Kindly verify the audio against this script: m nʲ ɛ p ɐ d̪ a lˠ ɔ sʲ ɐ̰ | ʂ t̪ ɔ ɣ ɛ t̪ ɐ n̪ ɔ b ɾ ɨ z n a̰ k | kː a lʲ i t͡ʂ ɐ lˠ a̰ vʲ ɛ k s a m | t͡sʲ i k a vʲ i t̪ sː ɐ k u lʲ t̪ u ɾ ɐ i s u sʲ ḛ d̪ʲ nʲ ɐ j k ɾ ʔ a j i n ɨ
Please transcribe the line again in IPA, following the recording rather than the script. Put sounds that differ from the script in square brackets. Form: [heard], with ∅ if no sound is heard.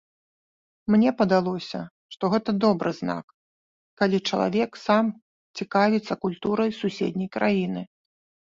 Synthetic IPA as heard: m nʲ ɛ p ɐ d̪ a lˠ ɔ sʲ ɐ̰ | ʂ t̪ ɔ ɣ ɛ t̪ ɐ [d̪] ɔ b ɾ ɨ z n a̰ k | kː a lʲ i t͡ʂ ɐ lˠ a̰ vʲ ɛ k s a m | t͡sʲ i k a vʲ i t̪ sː ɐ k u lʲ t̪ u ɾ ɐ [j] s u sʲ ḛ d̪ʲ nʲ ɐ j k ɾ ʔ a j i n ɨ